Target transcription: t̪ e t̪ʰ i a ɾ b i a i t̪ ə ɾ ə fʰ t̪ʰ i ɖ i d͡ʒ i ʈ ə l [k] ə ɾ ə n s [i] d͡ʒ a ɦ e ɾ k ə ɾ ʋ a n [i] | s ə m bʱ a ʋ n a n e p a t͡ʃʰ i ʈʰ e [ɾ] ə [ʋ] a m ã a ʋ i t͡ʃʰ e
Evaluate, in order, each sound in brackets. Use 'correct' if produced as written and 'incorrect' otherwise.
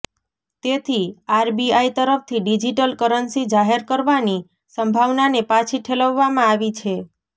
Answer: correct, correct, correct, incorrect: l, incorrect: ʋː

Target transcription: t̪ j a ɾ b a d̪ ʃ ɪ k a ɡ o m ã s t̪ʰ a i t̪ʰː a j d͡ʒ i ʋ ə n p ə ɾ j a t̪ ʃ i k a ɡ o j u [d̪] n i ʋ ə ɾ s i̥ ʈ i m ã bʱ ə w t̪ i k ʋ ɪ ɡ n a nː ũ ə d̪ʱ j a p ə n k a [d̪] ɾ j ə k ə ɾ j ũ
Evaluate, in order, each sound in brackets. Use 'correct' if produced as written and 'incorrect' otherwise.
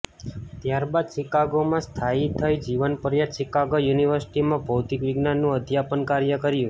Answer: incorrect: none, incorrect: none

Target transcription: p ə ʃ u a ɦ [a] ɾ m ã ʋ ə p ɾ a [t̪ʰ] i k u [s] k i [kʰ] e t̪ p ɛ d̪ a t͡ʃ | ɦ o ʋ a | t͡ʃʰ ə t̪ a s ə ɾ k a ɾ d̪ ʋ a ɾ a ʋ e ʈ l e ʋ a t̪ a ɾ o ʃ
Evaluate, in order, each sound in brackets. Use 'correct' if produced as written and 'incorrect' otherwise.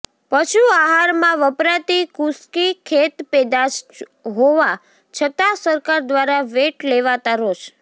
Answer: correct, incorrect: t̪, correct, correct

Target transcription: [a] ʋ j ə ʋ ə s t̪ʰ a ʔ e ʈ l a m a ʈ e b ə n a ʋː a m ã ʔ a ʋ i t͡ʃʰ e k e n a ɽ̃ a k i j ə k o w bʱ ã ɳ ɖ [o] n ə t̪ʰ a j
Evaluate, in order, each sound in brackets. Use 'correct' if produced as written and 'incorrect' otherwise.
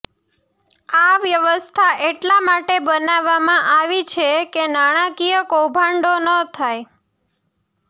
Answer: correct, correct

